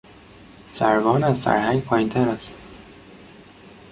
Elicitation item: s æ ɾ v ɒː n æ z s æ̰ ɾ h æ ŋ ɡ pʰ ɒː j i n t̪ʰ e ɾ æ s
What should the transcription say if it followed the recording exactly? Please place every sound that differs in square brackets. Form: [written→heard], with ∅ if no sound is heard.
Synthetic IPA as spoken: s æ ɾ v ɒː n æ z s æ̰ ɾ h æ ŋ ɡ pʰ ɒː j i n t̪ʰ [e→æ] ɾ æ s